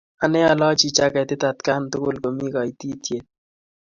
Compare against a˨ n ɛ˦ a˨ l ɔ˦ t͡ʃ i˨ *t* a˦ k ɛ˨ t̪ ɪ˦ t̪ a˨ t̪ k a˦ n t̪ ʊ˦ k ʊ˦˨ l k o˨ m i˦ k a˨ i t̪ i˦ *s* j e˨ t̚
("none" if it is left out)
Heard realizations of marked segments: t͡ʃ, t

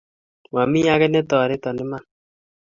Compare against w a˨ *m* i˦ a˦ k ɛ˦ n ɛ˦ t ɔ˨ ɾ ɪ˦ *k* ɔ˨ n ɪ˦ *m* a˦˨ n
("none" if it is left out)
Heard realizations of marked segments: m, t, m

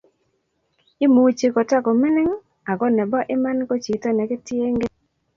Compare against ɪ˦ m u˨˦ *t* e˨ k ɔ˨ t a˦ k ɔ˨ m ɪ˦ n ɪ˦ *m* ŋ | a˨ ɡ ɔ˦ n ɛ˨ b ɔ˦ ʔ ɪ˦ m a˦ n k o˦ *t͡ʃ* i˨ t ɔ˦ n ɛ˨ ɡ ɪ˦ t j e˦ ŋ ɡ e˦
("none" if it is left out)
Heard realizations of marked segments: t͡ʃ, none, t͡ʃ

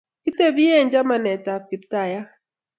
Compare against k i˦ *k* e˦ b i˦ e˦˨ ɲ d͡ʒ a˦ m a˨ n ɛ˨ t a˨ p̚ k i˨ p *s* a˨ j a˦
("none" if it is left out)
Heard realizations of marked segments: t, t

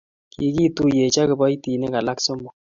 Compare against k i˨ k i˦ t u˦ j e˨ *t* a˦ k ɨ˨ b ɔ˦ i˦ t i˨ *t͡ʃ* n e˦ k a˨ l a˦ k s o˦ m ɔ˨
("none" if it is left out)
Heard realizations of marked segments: t͡ʃ, none

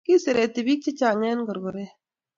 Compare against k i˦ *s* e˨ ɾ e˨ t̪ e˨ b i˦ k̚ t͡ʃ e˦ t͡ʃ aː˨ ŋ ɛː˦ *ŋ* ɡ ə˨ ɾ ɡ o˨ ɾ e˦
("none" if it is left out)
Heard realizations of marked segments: s, n

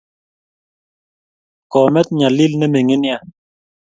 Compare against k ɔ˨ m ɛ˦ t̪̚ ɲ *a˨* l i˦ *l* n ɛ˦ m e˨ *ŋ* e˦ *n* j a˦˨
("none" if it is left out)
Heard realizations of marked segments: a˨, l, ŋ, n

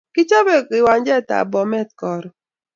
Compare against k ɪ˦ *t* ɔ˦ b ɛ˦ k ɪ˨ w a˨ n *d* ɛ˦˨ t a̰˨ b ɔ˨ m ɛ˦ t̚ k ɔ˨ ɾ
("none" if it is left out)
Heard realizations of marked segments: t͡ʃ, d͡ʒ

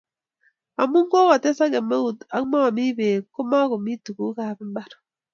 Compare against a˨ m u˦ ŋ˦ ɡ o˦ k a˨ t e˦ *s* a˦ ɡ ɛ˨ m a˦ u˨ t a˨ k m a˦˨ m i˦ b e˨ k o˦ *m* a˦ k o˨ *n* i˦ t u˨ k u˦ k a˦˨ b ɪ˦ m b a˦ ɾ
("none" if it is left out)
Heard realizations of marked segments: s, m, m

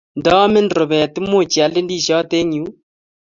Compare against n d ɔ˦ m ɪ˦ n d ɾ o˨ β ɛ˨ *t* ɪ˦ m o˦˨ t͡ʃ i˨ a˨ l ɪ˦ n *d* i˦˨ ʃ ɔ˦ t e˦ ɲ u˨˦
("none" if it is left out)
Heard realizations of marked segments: t, d

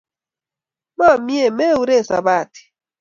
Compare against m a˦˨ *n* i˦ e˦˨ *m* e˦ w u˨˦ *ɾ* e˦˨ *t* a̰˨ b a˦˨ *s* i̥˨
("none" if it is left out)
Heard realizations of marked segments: m, m, ɾ, s, t

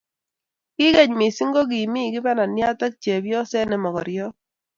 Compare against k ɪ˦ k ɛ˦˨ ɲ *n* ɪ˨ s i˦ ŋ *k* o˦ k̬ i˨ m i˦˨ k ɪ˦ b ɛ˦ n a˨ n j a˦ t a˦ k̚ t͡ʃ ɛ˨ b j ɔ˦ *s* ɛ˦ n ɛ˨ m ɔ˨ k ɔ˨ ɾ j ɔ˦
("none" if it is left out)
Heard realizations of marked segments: m, ɡ, s

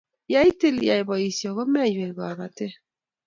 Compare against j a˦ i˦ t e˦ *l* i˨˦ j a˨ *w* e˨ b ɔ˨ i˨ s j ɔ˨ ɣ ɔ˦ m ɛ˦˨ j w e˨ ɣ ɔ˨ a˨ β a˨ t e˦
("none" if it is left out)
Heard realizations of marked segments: l, none

